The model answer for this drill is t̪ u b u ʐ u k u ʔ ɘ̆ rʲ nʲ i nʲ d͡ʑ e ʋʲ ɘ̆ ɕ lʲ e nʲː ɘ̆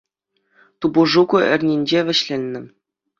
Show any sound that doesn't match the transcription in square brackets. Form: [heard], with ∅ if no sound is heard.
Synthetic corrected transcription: t̪ u b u ʐ u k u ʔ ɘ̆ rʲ nʲ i nʲ d͡ʑ e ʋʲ ɘ̆ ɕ lʲ e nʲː ɘ̆